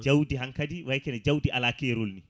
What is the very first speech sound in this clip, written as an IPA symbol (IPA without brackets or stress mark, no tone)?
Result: d͡ʒ